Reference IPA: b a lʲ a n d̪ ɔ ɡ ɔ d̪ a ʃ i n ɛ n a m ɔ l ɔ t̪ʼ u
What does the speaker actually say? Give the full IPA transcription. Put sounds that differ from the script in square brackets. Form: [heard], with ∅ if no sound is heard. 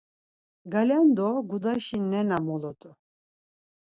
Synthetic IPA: [ɡ] a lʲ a n d̪ ɔ ɡ [u] d̪ a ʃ i n ɛ n a m ɔ l ɔ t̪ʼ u